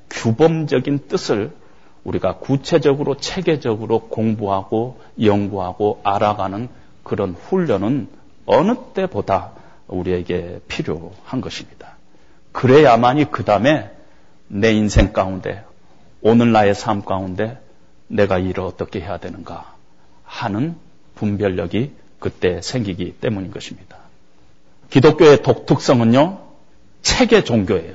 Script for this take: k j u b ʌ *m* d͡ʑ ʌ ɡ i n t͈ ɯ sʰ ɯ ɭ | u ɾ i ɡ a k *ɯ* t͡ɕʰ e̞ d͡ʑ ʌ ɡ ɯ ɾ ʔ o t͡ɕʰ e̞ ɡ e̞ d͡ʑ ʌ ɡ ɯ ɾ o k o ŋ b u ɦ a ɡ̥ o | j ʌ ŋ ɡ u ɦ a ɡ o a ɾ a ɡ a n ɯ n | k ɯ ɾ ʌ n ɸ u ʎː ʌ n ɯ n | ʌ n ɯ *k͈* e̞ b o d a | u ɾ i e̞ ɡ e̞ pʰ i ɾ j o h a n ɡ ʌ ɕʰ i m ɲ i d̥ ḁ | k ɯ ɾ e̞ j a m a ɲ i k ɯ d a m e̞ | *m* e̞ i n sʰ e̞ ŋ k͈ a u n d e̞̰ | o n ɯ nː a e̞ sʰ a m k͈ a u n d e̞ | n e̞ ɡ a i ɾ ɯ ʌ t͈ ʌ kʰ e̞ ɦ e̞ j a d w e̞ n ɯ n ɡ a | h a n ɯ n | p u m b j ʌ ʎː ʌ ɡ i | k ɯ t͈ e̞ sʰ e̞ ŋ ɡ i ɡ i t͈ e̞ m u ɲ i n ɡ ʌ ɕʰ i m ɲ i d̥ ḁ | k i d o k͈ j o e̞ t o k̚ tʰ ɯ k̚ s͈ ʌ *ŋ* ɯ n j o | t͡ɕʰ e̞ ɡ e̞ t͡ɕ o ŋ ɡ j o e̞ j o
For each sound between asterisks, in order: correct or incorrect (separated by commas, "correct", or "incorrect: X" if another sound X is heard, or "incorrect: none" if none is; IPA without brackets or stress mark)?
correct, incorrect: u, incorrect: t͈, incorrect: n, correct